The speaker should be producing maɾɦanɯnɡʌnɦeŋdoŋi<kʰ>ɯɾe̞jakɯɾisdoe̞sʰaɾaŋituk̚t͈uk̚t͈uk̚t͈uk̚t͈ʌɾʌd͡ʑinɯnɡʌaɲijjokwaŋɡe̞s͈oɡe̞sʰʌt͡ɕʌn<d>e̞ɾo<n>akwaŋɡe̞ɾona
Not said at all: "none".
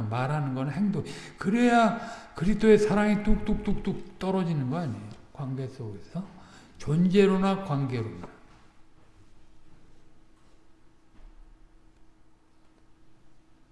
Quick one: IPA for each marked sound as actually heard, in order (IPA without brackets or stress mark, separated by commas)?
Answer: k, d͡ʑ, n